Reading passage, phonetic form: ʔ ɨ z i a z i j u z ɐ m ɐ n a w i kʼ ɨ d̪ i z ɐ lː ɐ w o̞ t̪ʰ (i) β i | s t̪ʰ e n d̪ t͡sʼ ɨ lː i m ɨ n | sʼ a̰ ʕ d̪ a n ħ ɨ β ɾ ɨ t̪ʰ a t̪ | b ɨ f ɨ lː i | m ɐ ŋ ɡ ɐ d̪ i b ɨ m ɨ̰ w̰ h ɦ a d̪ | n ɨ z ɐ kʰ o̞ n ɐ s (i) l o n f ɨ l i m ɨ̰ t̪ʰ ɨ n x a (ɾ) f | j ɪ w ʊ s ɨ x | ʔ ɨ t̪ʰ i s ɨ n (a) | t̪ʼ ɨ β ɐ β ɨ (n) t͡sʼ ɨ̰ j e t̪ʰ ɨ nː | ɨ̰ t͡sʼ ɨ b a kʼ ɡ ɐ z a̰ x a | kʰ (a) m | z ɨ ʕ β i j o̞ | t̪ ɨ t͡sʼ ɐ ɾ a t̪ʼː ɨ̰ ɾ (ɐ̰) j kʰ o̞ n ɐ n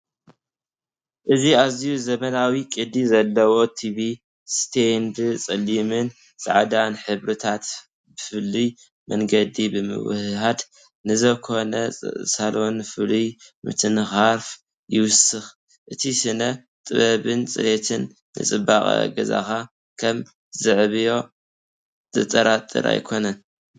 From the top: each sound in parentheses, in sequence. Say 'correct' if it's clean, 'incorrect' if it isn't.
correct, incorrect, correct, incorrect, correct, incorrect, incorrect

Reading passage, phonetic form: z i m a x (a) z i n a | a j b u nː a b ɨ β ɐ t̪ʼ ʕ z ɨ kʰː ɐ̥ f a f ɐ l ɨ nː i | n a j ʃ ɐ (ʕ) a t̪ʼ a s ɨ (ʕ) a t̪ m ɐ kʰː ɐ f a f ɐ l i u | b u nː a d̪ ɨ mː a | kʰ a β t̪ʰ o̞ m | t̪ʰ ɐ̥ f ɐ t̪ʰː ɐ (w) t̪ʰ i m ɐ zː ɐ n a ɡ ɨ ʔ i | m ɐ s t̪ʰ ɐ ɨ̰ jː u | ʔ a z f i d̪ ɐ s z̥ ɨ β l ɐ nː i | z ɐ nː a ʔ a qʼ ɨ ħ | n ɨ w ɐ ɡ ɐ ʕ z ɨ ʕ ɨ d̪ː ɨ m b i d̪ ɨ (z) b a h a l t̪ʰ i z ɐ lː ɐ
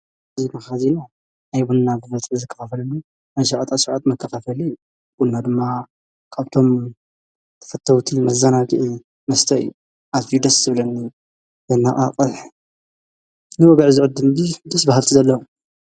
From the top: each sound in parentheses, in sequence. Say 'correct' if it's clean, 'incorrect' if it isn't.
correct, correct, correct, correct, incorrect

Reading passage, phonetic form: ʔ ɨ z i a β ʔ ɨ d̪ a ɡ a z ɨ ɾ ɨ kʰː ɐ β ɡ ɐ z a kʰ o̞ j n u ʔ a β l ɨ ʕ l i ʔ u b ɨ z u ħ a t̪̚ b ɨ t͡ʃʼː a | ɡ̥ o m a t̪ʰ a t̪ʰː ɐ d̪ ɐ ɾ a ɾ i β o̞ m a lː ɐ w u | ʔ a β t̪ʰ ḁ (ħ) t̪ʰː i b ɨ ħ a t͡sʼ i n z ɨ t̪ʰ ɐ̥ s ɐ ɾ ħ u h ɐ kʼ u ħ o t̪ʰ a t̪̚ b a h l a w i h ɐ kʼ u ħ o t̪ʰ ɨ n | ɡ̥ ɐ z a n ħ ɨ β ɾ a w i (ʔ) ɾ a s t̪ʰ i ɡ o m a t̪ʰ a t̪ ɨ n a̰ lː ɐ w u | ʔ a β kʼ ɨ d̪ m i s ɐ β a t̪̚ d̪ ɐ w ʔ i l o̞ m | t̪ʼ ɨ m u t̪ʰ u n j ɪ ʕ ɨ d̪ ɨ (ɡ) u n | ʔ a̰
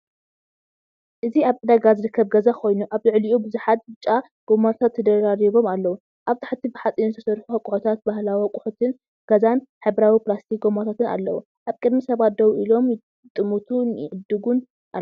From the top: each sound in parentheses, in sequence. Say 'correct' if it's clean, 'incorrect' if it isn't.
correct, incorrect, correct

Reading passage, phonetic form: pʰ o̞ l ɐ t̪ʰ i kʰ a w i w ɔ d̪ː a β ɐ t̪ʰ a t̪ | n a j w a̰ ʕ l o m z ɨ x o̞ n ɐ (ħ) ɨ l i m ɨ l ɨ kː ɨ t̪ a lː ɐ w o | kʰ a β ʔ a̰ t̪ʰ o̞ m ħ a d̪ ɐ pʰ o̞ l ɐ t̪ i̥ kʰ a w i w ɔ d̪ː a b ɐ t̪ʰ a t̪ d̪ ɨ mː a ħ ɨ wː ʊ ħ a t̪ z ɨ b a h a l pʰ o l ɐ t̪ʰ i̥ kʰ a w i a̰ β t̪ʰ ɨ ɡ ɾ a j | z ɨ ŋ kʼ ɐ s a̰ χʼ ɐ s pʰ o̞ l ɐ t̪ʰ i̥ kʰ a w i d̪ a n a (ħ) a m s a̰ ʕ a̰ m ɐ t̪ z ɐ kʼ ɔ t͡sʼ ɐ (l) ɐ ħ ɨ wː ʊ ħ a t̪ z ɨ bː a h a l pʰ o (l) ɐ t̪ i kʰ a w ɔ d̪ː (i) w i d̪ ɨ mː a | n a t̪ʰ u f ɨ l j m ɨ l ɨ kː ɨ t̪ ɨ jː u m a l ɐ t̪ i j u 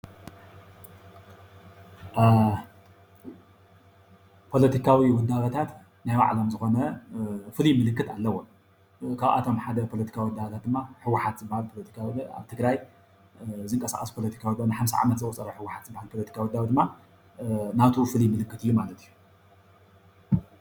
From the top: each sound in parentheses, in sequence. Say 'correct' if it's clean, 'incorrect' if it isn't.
incorrect, correct, incorrect, correct, incorrect

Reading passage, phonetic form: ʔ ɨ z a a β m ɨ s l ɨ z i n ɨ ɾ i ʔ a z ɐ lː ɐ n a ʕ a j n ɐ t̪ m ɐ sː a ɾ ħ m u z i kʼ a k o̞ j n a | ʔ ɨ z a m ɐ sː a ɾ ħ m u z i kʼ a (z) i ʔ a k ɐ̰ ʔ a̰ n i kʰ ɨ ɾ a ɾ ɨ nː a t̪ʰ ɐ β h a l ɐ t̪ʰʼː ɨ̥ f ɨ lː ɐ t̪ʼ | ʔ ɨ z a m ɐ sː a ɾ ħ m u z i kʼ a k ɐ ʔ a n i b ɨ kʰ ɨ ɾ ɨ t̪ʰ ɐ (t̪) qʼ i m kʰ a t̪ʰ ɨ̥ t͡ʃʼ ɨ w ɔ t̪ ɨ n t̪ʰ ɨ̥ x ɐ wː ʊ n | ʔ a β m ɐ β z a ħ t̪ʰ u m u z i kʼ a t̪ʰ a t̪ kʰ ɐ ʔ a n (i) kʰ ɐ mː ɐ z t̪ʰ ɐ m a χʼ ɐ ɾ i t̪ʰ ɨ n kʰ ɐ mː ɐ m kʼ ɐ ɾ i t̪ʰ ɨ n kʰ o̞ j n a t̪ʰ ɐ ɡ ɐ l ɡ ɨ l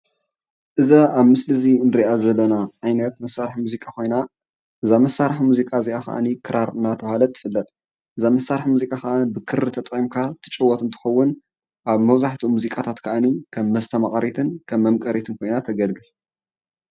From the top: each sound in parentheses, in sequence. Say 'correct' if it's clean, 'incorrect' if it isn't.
correct, incorrect, correct

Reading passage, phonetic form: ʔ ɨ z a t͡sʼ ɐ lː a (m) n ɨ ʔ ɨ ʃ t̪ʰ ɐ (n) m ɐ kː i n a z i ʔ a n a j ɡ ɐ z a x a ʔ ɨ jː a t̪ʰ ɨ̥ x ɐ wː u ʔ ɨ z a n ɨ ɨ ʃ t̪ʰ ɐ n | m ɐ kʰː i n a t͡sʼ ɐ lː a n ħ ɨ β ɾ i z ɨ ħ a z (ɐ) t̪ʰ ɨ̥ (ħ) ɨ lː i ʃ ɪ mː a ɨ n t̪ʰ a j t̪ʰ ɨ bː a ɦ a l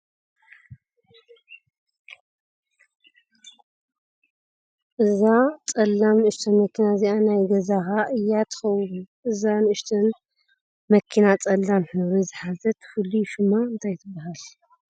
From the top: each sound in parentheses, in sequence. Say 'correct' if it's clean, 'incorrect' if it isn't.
correct, correct, correct, incorrect

